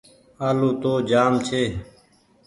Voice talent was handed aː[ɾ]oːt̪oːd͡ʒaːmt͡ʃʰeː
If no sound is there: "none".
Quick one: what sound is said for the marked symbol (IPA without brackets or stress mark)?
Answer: l